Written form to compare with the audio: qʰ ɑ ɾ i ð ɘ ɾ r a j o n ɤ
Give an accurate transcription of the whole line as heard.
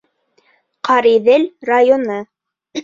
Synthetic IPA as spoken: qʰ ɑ ɾ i ð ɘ l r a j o n ɤ